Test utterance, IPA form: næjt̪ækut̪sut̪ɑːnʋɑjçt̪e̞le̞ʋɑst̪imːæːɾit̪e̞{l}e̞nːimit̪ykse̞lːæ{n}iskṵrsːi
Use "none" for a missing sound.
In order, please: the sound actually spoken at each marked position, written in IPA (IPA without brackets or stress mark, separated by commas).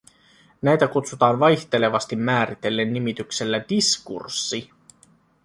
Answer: lː, d